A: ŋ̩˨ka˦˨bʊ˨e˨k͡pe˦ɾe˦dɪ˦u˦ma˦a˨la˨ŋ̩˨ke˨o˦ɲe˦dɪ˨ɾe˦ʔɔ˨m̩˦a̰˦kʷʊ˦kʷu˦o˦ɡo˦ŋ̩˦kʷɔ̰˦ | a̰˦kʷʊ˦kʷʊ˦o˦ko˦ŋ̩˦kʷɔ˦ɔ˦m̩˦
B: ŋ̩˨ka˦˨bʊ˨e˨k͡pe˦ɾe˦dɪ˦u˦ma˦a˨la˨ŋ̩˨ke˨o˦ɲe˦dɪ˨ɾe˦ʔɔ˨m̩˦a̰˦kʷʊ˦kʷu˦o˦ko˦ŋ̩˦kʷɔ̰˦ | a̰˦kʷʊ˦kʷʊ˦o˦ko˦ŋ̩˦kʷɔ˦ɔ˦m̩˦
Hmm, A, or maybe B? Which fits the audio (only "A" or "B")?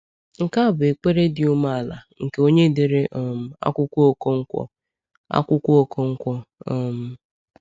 B